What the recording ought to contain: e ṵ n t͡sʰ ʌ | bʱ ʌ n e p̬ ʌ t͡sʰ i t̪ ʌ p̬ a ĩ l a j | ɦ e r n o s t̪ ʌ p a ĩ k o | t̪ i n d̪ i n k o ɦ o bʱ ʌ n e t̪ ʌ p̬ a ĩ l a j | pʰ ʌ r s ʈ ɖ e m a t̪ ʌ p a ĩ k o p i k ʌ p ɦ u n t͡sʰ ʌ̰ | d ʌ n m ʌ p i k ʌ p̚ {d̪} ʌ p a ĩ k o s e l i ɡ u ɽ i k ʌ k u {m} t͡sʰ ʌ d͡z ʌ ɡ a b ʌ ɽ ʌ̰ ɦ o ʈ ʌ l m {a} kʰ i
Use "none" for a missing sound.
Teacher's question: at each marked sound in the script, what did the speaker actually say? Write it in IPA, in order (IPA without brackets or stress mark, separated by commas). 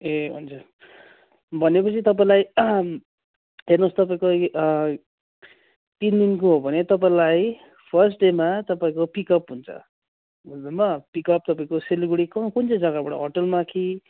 t̪, n, a